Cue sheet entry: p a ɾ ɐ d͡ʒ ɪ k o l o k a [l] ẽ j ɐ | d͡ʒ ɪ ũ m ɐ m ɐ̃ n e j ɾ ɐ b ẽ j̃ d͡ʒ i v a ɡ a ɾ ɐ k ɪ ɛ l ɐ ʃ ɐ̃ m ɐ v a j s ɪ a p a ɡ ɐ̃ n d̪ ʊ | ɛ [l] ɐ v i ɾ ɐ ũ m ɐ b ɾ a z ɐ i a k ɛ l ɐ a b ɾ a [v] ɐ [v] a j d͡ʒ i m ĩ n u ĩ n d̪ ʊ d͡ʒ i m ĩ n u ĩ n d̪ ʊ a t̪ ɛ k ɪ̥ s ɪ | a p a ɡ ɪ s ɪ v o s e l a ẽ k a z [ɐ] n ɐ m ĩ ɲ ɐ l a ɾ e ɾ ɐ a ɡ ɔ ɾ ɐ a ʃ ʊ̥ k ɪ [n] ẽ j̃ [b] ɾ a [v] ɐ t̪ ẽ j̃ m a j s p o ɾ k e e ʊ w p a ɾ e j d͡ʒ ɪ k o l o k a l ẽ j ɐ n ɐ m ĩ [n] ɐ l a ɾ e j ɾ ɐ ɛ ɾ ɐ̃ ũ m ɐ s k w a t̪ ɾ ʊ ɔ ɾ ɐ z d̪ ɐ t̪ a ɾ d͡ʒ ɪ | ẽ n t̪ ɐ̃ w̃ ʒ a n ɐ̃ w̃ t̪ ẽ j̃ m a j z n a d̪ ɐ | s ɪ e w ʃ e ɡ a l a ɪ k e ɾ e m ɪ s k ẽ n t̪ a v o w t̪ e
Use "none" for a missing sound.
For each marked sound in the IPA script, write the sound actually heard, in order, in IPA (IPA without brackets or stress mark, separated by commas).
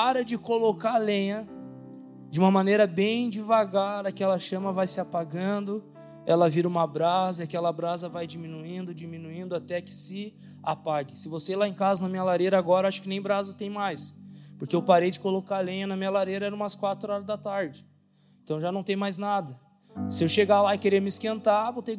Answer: l, l, z, v, ɐ, n, b, z, ɲ